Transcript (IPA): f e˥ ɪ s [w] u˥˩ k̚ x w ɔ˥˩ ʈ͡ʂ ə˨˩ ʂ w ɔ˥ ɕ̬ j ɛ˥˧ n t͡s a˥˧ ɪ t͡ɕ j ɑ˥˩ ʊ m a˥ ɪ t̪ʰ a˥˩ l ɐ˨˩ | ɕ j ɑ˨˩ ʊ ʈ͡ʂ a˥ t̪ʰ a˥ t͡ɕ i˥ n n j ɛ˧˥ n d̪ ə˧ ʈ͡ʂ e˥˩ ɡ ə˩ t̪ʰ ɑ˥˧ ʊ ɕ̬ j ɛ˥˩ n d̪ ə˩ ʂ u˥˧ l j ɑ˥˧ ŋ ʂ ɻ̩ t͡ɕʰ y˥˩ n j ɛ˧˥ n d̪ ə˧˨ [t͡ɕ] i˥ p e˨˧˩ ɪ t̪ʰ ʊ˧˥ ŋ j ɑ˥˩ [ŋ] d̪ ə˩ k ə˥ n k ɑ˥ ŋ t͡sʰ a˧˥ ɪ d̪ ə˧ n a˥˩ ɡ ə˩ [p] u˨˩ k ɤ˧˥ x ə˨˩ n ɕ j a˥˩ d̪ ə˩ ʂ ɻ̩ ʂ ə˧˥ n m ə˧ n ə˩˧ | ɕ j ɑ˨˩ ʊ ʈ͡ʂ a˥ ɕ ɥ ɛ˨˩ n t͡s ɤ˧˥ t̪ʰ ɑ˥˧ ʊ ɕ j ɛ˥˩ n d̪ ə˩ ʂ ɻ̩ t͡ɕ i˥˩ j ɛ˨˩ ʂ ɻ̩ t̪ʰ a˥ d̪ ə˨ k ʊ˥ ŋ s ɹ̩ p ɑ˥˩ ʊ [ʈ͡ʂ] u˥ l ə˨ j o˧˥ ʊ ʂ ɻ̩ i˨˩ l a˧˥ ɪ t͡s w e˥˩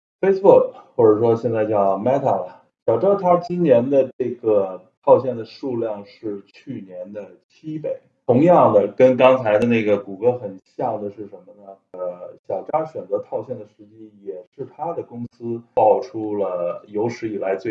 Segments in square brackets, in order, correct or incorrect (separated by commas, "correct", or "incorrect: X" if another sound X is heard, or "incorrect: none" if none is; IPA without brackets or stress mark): incorrect: b, incorrect: t͡ɕʰ, correct, incorrect: k, incorrect: ʈ͡ʂʰ